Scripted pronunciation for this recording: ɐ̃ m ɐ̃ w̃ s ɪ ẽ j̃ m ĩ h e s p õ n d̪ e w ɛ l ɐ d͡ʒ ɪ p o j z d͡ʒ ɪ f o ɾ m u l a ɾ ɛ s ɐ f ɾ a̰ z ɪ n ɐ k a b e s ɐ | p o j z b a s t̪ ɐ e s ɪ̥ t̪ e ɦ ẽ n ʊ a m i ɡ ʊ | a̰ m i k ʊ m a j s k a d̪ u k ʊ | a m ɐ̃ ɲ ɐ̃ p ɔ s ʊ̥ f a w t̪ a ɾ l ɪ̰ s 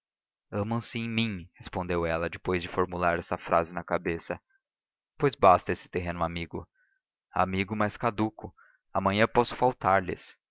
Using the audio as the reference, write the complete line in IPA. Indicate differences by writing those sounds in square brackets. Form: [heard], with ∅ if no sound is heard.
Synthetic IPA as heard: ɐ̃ m ɐ̃ w̃ s ɪ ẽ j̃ m ĩ h e s p õ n d̪ e w ɛ l ɐ d͡ʒ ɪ p o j z d͡ʒ ɪ f o ɾ m u l a ɾ ɛ s ɐ f ɾ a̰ z ɪ n ɐ k a b e s ɐ | p o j z b a s t̪ ɐ e s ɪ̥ t̪ e ɦ ẽ n ʊ a m i ɡ ʊ | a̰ m i [ɡ] ʊ m a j s k a d̪ u k ʊ | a m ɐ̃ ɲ ɐ̃ p ɔ s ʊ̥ f a w t̪ a ɾ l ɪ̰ s